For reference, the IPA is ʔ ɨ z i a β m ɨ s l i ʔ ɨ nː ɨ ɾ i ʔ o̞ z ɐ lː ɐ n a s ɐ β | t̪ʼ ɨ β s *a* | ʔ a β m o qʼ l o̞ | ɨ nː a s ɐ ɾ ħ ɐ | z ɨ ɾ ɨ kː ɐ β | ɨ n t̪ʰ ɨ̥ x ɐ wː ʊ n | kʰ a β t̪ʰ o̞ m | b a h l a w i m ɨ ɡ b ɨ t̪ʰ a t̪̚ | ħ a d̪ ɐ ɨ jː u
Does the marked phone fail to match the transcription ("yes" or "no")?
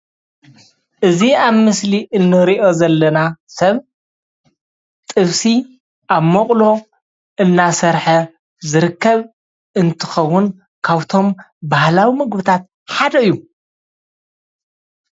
yes